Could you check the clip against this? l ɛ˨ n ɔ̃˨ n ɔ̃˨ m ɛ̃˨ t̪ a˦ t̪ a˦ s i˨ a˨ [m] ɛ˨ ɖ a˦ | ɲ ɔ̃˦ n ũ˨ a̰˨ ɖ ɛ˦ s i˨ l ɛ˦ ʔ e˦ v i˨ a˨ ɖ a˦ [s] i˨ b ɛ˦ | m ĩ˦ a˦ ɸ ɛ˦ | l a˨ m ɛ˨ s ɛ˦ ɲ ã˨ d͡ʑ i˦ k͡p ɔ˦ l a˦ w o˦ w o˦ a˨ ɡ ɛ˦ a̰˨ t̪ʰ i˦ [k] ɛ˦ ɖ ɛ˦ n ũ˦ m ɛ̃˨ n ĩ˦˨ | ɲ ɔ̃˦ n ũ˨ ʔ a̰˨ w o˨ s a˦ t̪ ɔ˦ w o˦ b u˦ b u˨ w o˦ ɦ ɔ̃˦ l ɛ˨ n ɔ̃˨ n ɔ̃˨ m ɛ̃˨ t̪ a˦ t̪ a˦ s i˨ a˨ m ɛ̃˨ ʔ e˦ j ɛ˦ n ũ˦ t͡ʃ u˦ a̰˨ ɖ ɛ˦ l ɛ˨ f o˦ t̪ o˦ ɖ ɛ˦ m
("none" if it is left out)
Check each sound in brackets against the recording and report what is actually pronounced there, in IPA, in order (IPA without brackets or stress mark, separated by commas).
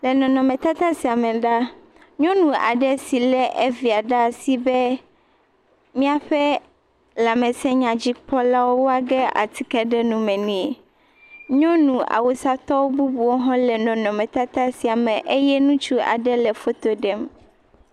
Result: m, s, k